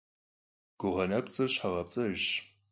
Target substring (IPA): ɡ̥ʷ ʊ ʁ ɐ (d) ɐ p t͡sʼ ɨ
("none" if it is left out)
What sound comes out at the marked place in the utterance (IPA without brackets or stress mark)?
n